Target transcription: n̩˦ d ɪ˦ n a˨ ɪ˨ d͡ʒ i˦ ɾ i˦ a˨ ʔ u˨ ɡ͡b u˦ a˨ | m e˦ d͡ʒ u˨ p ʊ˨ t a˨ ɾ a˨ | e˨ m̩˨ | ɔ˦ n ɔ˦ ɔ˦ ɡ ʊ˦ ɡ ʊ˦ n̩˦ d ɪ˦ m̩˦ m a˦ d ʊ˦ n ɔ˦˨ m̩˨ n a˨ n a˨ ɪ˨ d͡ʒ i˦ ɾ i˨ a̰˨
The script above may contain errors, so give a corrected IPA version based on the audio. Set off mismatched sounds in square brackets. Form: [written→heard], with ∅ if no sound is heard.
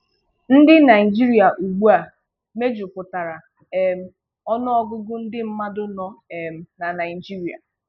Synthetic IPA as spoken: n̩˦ d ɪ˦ n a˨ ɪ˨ d͡ʒ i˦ ɾ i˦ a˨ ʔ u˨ ɡ͡b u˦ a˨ | m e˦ d͡ʒ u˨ p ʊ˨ t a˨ ɾ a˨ | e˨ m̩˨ | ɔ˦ n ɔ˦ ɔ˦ ɡ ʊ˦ ɡ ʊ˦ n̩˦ d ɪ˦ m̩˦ m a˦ d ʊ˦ n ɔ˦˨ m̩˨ n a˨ n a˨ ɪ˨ d͡ʒ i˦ ɾ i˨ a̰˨